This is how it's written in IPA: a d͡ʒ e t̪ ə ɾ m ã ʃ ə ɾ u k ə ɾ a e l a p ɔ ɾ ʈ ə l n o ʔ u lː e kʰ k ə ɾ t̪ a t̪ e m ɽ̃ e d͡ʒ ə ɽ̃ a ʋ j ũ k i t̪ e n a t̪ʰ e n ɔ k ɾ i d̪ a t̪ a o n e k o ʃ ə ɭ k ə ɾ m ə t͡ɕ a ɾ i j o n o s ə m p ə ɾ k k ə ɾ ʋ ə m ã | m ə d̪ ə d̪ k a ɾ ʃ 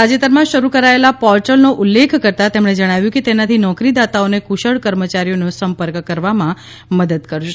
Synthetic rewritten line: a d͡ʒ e t̪ ə ɾ m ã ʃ ə ɾ u k ə ɾ a e l a p ɔ ɾ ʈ ə l n o ʔ u lː e kʰ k ə ɾ t̪ a t̪ e m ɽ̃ e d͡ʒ ə ɽ̃ a ʋ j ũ k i t̪ e n a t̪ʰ i n ɔ k ɾ i d̪ a t̪ a o n e k u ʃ ə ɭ k ə ɾ m ə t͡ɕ a ɾ i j o n o s ə m p ə ɾ k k ə ɾ ʋ a m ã | m ə d̪ ə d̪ k ə ɾ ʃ